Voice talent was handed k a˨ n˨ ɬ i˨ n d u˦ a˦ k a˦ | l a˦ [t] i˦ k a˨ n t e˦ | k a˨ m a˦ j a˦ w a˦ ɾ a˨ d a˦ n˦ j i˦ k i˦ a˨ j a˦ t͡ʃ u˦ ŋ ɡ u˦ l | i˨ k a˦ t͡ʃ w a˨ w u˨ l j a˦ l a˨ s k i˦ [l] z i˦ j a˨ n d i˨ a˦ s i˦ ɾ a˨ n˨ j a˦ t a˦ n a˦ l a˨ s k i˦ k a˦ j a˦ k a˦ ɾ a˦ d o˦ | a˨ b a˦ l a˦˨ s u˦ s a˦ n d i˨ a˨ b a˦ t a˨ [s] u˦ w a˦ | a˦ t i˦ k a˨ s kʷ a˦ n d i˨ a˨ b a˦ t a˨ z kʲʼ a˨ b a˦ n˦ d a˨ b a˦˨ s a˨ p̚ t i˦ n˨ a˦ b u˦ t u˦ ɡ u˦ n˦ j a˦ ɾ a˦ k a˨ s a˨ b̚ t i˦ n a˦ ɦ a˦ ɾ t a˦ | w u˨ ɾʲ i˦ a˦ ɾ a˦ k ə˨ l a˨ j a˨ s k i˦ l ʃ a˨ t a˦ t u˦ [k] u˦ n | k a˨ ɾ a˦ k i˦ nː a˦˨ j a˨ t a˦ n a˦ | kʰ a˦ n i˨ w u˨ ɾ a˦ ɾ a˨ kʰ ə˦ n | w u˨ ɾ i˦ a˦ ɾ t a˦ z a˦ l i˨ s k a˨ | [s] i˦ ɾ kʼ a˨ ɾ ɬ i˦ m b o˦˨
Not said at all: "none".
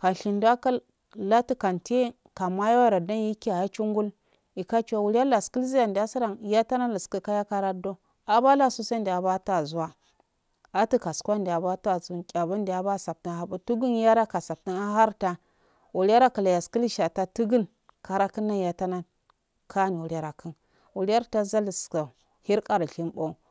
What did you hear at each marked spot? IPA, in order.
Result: t, l, z, ɡ, h

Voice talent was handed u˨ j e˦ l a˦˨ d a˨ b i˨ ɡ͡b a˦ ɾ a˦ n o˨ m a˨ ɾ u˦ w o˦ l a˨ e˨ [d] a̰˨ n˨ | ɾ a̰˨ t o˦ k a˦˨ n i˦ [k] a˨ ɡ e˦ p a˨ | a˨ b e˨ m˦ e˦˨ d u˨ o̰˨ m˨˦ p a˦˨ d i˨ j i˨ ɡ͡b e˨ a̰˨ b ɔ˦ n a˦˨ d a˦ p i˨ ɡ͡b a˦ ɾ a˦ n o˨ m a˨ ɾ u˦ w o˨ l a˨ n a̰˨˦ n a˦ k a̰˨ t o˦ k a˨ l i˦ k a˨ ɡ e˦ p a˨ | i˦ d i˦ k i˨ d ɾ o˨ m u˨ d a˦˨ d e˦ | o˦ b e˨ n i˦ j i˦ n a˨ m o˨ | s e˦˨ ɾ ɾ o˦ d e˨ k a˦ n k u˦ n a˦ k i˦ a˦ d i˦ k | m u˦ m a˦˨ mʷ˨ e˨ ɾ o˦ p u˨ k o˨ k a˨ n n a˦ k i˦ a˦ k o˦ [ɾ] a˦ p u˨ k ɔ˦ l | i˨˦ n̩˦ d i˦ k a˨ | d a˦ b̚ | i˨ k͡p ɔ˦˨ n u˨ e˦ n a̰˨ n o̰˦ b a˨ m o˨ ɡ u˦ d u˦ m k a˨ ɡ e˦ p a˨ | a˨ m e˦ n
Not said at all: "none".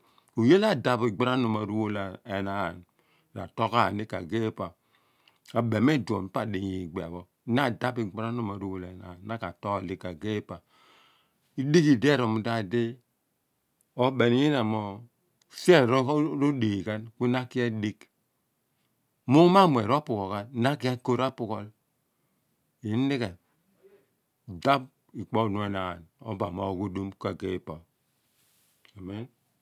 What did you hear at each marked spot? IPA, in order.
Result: n, k, ɾ

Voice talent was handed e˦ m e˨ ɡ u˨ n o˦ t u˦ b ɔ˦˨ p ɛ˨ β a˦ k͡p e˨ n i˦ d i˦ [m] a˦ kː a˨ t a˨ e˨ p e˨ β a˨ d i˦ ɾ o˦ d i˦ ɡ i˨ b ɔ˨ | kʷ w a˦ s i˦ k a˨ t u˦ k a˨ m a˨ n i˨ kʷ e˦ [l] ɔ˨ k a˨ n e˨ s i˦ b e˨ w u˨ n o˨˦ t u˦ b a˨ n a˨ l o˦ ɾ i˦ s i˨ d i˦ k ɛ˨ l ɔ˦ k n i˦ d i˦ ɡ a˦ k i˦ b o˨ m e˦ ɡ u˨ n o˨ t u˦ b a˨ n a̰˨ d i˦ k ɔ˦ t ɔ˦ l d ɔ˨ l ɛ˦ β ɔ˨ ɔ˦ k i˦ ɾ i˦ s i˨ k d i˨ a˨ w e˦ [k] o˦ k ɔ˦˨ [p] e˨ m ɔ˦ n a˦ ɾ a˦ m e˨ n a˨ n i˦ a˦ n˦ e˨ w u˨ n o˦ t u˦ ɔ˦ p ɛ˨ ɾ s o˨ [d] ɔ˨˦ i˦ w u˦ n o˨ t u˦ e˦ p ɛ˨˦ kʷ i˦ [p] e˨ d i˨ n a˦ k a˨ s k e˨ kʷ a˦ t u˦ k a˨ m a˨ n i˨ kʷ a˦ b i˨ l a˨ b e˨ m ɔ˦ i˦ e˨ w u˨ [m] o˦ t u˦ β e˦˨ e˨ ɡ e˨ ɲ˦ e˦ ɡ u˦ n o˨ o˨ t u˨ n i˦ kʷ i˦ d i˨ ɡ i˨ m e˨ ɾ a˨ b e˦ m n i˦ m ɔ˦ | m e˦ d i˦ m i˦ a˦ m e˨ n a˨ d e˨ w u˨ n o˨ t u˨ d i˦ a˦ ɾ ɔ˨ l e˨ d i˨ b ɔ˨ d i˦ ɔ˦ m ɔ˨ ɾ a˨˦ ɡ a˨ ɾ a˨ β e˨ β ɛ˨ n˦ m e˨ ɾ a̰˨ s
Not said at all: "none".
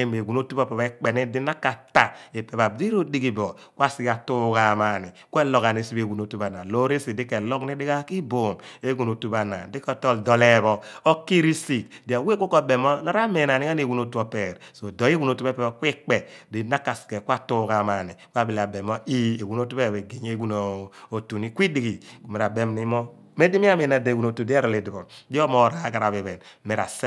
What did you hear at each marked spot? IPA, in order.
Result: n, l, k, b, d, k͡p, n

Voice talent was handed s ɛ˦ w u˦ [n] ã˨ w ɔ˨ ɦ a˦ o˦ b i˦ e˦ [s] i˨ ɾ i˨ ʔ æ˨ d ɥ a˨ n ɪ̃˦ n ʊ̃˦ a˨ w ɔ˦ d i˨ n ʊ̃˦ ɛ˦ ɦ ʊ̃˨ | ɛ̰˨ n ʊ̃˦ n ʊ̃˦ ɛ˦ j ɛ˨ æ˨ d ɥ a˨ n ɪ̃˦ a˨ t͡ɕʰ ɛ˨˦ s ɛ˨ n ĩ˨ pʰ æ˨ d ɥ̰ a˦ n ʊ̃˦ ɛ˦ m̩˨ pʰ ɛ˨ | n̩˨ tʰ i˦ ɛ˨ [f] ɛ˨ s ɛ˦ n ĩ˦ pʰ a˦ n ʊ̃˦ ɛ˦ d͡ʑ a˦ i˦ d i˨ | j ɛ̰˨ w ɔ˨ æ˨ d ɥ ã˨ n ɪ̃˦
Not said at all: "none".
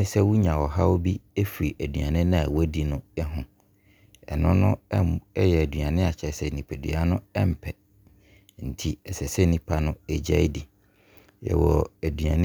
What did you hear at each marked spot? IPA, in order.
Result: ɲ, f, s

